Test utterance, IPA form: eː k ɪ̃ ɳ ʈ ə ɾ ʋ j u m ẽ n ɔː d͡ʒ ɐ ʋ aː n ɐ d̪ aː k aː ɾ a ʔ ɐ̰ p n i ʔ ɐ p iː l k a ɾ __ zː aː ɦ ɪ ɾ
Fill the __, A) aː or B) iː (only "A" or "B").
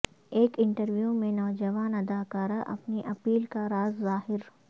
A